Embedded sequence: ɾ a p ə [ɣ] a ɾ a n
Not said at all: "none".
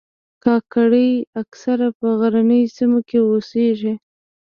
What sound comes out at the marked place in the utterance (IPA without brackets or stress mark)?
ɣ